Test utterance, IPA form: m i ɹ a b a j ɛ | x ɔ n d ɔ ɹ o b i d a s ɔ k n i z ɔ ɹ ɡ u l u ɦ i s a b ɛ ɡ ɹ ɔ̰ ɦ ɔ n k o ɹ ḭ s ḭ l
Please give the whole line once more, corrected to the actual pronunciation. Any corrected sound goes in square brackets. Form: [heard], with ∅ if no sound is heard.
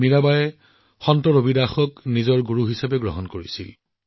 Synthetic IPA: m i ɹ a b a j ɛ | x ɔ n [t] ɔ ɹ o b i d a [x] ɔ k n i z ɔ ɹ ɡ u [ɹ] u ɦ i s a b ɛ ɡ ɹ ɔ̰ ɦ ɔ n k o ɹ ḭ s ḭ l